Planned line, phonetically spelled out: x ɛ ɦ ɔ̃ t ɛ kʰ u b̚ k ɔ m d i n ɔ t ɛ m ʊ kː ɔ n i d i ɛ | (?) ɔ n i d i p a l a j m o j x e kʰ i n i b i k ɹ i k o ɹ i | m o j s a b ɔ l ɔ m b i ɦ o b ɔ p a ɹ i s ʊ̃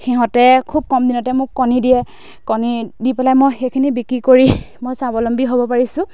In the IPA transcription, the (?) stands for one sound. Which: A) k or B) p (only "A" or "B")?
A